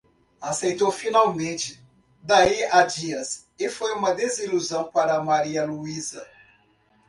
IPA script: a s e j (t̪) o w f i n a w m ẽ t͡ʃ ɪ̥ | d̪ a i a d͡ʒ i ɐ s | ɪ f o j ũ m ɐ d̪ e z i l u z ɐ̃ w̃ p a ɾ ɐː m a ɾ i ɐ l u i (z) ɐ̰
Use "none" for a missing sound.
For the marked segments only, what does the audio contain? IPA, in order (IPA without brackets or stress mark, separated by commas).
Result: t̪, z